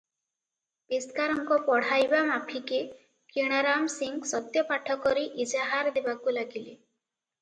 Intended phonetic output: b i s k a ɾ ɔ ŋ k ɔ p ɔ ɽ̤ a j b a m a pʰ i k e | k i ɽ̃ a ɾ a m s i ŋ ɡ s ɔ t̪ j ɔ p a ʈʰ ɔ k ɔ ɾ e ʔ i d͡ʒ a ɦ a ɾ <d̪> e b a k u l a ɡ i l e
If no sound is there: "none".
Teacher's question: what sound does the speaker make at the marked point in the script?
d̪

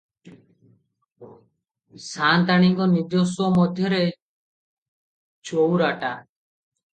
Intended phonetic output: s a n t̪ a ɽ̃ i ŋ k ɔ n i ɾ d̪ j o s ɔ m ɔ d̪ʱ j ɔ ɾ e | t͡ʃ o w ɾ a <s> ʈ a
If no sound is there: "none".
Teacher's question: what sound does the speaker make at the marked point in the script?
none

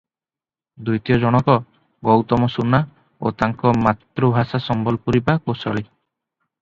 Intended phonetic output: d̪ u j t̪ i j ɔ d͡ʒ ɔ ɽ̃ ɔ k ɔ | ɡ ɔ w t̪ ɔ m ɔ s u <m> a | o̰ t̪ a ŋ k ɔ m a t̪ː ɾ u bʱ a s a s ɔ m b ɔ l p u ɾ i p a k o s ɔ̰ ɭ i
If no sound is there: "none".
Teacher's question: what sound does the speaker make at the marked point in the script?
n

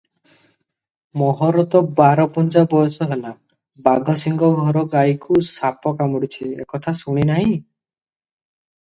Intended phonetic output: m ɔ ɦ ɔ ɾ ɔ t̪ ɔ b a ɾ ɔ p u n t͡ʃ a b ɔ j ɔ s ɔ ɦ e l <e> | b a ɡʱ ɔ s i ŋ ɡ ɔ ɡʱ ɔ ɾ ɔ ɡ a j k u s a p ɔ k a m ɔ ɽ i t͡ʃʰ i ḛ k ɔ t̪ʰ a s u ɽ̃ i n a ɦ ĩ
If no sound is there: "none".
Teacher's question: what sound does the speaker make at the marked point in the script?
a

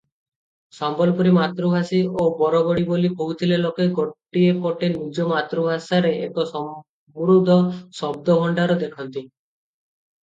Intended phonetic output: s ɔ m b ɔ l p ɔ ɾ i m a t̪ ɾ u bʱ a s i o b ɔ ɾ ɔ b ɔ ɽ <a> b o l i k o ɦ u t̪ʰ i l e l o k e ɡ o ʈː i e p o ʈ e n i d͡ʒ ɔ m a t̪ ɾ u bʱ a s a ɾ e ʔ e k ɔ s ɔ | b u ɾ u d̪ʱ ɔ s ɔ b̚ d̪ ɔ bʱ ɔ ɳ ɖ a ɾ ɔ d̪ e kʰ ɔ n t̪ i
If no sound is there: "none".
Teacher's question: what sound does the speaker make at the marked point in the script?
i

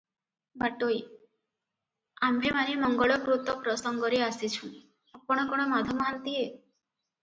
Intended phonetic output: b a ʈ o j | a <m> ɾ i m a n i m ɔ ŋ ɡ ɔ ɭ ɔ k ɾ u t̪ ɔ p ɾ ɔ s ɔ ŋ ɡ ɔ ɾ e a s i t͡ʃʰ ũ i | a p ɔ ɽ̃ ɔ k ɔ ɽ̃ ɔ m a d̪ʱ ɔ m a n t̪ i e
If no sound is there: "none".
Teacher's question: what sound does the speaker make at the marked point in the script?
m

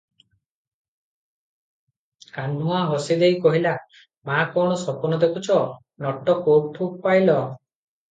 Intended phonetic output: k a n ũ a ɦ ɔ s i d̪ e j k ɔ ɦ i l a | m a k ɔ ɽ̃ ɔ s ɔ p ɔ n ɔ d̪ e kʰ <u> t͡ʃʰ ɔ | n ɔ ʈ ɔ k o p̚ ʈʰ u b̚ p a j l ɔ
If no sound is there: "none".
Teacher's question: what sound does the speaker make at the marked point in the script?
u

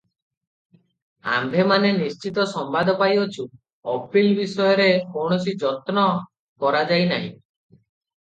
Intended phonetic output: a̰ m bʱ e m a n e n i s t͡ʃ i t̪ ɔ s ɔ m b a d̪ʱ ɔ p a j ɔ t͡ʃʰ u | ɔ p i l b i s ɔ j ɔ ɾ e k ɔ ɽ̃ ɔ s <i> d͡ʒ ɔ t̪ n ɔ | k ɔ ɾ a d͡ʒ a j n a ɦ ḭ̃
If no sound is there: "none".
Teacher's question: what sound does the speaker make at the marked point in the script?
i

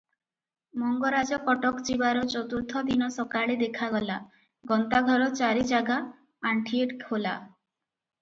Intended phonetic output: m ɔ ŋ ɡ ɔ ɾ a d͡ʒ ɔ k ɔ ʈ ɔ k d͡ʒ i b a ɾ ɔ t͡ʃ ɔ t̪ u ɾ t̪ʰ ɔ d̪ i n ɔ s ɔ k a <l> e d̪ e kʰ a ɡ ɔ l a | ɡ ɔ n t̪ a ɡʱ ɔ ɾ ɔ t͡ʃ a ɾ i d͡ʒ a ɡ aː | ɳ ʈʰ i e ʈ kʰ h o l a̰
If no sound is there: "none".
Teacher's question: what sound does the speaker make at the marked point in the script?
ɭ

